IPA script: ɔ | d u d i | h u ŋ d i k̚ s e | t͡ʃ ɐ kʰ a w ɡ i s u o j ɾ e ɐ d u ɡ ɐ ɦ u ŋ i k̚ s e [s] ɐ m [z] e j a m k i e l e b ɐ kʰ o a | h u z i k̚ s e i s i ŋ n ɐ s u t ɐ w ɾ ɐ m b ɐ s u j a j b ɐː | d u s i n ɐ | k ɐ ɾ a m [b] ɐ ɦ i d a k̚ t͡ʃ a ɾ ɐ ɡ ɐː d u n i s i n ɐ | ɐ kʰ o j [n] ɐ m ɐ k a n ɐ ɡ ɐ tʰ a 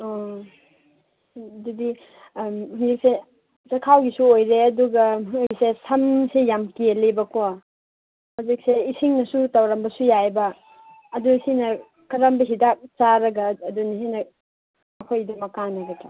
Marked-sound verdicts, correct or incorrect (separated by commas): correct, incorrect, correct, incorrect